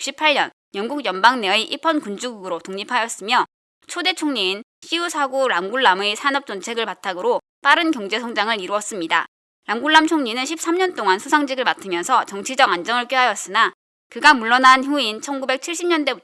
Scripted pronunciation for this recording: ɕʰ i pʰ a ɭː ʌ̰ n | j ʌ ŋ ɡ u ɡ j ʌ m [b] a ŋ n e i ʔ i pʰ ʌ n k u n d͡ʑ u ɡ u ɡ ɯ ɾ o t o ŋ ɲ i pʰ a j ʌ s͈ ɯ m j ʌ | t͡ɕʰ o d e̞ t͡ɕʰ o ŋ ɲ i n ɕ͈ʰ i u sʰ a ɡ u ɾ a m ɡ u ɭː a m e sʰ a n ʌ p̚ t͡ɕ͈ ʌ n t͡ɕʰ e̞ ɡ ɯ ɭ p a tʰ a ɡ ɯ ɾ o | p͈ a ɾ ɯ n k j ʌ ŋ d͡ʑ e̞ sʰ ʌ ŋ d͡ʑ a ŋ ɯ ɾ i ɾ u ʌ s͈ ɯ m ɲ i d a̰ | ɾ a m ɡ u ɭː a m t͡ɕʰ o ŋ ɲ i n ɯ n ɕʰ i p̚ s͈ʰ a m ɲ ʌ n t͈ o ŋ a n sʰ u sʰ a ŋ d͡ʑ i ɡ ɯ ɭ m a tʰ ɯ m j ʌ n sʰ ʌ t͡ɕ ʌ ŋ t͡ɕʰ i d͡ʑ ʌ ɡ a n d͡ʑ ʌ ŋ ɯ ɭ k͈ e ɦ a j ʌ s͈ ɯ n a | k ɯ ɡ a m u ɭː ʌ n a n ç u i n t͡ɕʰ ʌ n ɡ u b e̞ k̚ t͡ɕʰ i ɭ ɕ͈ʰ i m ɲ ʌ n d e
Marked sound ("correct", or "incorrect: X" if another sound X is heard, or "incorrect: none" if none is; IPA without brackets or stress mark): correct